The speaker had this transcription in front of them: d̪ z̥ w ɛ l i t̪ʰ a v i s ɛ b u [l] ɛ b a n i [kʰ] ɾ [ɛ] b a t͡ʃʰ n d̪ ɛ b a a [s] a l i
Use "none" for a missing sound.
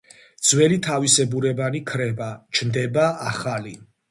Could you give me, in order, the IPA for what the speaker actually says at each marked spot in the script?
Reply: ɾ, kʰ, ɛ, χ

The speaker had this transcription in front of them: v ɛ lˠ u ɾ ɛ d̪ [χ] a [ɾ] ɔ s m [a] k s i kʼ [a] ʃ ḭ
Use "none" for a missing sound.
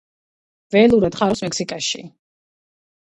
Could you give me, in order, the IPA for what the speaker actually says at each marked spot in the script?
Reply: χ, ɾ, ɛ, a

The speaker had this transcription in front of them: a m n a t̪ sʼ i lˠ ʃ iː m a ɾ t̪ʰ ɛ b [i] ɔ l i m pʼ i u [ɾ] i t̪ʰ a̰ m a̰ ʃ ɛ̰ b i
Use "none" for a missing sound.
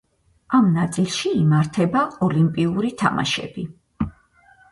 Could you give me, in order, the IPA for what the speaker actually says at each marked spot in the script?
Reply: a, ɾ

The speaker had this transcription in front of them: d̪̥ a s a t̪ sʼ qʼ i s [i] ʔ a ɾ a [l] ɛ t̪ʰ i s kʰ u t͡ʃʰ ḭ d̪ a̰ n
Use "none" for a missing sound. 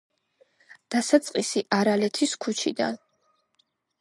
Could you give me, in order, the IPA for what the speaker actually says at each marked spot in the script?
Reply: i, l

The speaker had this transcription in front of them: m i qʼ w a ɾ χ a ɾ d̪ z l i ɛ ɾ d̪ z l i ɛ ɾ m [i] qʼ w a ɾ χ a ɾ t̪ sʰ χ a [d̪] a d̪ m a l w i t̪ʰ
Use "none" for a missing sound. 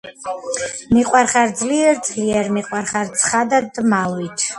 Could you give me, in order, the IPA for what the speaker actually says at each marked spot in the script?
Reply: i, d̪

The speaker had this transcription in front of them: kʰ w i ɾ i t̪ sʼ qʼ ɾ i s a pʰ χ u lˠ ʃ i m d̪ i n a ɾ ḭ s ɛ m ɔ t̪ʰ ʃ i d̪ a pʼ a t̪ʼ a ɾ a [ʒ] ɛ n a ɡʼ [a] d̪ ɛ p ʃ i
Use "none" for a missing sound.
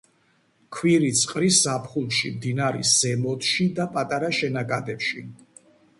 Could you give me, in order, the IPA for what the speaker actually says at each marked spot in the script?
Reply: ʃ, a

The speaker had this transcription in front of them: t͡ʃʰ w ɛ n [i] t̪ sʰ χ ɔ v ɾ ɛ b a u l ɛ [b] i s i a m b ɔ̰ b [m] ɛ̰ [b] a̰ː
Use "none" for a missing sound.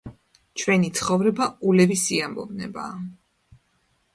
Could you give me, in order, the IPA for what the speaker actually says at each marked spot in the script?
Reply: i, v, n, b

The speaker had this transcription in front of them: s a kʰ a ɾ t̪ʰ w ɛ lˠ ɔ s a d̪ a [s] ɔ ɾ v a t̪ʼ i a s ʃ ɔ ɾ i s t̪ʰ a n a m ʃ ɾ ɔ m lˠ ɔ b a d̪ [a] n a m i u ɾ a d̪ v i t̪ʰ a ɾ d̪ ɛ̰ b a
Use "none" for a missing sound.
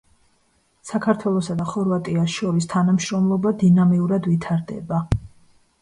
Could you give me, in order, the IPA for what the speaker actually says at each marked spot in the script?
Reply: χ, i

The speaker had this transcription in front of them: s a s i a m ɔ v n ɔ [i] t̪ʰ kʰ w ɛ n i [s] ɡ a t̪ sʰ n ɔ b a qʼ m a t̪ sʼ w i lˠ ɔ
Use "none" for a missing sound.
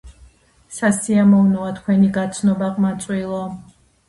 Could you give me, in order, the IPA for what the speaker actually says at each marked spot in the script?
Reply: a, none

